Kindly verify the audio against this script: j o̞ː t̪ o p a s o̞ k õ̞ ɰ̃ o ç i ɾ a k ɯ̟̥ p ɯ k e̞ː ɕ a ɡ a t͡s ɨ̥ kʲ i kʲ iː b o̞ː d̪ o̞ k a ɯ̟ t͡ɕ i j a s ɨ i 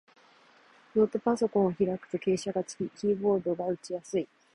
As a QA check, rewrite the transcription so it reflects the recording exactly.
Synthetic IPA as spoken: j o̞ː t̪ o p a s o̞ k õ̞ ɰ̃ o ç i ɾ a k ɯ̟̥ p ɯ k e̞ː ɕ a ɡ a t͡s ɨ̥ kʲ i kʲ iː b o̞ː d̪ o̞ ɡ a ɯ̟ t͡ɕ i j a s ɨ i